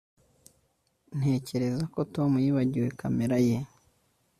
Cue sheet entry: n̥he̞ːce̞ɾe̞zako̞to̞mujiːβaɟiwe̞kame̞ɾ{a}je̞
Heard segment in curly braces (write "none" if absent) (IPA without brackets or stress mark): a